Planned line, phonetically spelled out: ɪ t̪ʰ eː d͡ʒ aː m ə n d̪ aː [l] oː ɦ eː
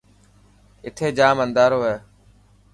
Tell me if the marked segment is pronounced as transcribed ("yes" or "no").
no